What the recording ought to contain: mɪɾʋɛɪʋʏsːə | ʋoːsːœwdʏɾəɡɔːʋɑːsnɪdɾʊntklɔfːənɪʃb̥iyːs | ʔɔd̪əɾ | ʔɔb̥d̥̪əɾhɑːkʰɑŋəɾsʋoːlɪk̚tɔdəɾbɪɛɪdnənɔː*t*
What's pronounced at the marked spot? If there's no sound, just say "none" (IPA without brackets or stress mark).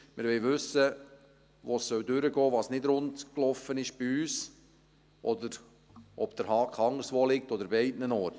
t